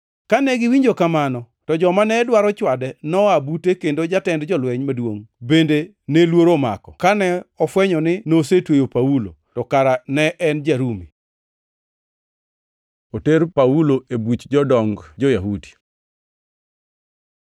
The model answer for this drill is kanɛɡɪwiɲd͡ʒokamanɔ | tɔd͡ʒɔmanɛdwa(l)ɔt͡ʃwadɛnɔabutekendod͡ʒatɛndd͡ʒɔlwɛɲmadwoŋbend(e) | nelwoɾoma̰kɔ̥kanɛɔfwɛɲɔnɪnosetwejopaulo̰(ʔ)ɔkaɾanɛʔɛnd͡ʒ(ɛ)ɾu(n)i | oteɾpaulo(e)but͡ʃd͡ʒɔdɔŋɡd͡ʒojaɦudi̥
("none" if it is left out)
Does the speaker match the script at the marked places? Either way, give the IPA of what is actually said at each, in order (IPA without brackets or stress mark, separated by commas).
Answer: ɾ, e, t, a, m, e